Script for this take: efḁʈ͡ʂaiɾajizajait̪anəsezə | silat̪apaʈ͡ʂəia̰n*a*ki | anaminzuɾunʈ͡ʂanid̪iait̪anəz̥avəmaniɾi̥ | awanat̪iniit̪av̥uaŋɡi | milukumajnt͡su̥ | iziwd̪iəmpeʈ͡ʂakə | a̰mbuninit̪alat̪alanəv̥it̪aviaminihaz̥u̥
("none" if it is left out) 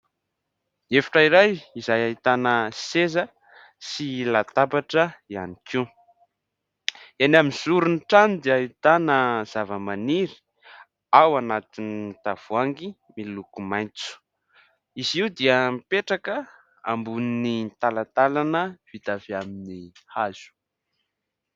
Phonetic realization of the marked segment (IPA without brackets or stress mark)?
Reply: i